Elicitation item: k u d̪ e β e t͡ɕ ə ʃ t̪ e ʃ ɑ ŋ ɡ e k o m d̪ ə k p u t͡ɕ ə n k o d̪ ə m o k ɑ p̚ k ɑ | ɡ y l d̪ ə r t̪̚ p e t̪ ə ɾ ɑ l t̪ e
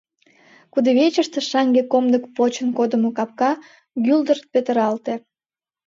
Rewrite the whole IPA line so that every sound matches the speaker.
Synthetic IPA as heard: k u d̪ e β e t͡ɕ ə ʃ t̪ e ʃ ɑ ŋ ɡ e k o m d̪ ə k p o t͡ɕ ə n k o d̪ ə m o k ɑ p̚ k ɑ | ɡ y l d̪ ə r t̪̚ p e t̪ ə ɾ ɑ l t̪ e